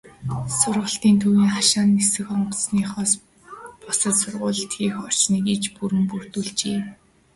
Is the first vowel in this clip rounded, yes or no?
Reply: yes